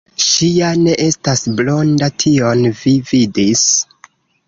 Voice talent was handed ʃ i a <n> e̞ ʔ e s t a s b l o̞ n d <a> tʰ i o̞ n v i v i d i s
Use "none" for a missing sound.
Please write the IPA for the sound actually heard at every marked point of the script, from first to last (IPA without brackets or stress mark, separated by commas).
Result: n, a